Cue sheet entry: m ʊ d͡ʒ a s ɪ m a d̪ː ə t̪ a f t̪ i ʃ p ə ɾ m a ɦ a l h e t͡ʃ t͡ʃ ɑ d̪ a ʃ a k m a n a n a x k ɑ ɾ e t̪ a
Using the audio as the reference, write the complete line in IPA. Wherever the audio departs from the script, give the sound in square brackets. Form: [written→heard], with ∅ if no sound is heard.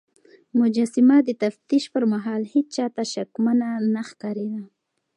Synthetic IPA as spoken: m ʊ d͡ʒ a s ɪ m a [d̪ː→d̪] ə t̪ a f t̪ i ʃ p ə ɾ m a ɦ [a→ɑ] l h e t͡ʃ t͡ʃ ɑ [d̪→t̪] a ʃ a k m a n a n a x k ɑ ɾ e [t̪→d̪] a